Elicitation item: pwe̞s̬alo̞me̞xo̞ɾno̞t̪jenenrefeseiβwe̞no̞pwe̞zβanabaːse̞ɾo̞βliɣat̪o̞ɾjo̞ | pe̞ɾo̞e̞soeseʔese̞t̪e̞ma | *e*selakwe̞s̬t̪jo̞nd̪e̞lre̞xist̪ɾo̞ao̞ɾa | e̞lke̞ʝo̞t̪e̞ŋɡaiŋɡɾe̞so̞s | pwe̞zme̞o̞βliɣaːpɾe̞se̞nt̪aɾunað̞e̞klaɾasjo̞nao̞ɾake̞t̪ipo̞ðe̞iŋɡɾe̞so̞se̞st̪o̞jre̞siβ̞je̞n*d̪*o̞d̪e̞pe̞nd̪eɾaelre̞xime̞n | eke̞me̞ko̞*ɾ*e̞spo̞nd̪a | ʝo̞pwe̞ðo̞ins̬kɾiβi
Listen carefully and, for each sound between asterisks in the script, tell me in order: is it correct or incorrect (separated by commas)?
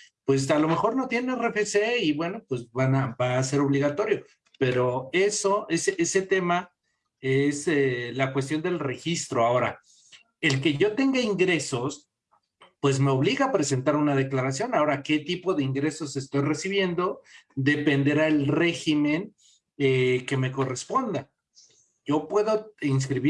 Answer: correct, correct, incorrect